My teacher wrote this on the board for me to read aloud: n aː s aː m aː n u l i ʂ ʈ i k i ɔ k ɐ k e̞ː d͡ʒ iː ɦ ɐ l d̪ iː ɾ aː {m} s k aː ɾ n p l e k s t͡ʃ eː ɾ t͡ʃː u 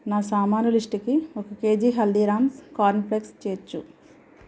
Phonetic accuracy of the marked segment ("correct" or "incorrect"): correct